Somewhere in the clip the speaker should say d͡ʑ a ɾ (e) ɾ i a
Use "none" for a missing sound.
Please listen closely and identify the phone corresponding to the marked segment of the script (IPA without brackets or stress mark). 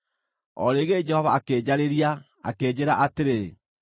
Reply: e